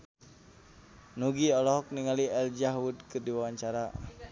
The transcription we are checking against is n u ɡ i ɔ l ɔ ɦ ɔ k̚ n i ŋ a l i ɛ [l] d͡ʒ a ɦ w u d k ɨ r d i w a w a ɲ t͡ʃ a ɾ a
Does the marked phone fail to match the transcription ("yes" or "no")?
no